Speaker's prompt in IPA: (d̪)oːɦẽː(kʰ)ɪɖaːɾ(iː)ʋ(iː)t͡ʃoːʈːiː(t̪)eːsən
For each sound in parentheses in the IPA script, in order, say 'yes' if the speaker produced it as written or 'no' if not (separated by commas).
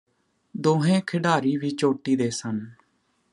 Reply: yes, yes, yes, yes, no